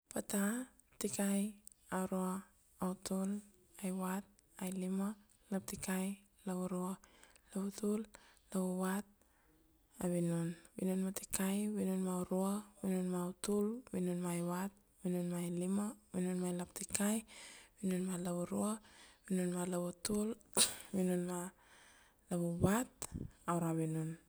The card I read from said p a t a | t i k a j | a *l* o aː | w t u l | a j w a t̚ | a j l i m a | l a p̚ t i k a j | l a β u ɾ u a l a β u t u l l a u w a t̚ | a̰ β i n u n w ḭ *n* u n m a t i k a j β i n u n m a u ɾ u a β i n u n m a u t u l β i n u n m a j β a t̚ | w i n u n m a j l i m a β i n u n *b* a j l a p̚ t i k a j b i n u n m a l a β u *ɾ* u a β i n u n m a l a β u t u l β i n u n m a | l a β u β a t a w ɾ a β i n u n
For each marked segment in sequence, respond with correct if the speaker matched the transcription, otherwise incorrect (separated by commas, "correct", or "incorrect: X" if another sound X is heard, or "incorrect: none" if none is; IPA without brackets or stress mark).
incorrect: ɾ, correct, incorrect: m, correct